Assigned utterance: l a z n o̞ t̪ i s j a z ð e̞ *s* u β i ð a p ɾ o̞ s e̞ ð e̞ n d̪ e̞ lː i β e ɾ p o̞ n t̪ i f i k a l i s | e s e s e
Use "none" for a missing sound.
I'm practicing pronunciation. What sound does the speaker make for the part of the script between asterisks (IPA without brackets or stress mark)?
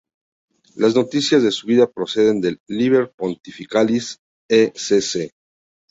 s